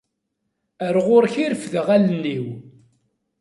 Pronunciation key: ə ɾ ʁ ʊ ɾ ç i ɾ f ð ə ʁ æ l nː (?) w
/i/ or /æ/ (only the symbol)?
i